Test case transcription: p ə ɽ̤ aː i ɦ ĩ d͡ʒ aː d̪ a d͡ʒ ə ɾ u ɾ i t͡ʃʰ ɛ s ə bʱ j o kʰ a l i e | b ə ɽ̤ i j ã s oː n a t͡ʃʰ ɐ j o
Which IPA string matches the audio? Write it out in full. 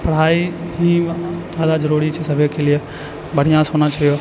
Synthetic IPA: p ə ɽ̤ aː i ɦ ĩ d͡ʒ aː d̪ a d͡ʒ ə ɾ u ɾ i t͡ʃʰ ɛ s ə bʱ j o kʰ e l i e | b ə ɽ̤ i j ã s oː n a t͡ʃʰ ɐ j o